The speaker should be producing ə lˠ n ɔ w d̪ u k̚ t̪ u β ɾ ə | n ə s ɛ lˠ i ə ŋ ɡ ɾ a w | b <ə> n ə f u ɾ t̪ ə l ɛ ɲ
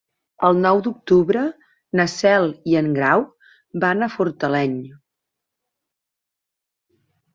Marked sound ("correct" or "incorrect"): incorrect